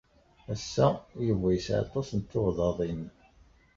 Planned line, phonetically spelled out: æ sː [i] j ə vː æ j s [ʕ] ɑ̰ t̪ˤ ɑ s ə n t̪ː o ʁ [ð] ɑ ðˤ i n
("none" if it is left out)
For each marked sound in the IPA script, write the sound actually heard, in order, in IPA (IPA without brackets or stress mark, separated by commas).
æ, ʕ, ð